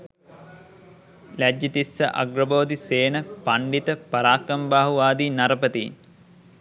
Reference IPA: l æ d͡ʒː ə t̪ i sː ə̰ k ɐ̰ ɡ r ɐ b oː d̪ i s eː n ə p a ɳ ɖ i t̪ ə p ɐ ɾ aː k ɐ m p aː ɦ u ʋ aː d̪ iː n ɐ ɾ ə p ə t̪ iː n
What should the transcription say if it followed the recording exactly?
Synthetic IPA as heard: l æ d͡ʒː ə t̪ i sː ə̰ ʔ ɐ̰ ɡ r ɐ b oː d̪ i s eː n ə p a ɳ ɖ i t̪ ə p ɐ ɾ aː k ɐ m b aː ɦ u ʋ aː d̪ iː n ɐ ɾ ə p ə t̪ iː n